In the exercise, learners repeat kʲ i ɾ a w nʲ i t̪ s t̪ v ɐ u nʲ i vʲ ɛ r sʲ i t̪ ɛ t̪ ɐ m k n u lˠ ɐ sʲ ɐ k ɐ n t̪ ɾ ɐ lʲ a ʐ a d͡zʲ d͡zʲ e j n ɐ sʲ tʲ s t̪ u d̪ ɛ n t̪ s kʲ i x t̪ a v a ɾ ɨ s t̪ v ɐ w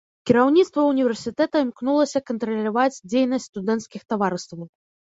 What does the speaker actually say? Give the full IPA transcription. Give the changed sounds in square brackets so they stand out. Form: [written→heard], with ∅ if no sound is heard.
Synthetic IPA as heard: kʲ i ɾ a w nʲ i t̪ s t̪ v ɐ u nʲ i vʲ ɛ r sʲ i t̪ ɛ t̪ ɐ m k n u lˠ ɐ sʲ ɐ k ɐ n t̪ ɾ ɐ lʲ a [ʐ→v] a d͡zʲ d͡zʲ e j n ɐ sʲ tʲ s t̪ u d̪ ɛ n t̪ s kʲ i x t̪ a v a ɾ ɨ s t̪ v ɐ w